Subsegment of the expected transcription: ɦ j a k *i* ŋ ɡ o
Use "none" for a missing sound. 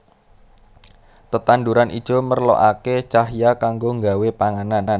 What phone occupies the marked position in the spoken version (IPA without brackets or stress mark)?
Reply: a